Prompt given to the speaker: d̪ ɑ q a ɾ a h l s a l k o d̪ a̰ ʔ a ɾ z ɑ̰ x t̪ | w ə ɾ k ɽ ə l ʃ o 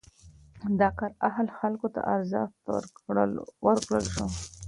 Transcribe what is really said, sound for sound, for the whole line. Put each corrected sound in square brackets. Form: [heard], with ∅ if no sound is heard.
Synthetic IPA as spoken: d̪ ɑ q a ɾ a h l [x] a l k o [t̪] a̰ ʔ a ɾ z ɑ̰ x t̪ | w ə ɾ k ɽ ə l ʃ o